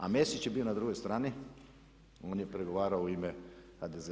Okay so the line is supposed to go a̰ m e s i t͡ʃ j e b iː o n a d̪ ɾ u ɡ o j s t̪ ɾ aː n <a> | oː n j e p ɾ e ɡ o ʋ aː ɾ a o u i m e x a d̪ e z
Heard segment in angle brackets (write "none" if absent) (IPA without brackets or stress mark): i